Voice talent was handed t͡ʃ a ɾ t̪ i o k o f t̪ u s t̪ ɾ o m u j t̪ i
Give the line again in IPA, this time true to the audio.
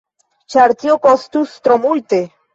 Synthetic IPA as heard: t͡ʃ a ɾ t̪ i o k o s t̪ u s t̪ ɾ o m u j t̪ e